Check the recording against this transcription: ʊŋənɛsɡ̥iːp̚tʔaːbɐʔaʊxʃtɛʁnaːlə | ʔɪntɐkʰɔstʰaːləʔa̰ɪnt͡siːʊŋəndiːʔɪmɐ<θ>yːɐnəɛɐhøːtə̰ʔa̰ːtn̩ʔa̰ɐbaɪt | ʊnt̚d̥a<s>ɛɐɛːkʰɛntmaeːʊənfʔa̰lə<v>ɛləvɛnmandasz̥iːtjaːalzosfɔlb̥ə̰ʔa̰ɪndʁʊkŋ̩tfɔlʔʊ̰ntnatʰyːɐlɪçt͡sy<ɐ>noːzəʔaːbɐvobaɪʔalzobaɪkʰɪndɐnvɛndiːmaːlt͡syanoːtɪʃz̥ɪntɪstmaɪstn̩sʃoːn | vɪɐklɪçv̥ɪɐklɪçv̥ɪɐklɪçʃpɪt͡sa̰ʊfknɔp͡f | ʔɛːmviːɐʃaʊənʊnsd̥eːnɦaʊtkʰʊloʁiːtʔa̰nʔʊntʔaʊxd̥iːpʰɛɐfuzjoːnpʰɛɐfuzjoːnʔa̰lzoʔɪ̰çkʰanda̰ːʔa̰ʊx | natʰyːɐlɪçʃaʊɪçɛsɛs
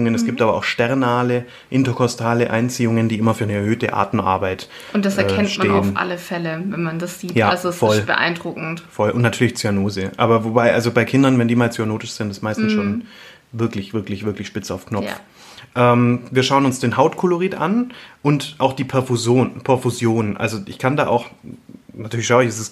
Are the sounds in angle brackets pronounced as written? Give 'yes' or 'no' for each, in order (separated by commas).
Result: no, yes, no, no